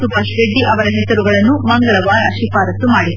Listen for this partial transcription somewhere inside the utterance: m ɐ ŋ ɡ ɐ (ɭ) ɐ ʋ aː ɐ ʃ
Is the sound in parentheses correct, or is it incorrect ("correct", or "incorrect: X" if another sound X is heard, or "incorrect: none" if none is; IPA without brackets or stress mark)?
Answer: correct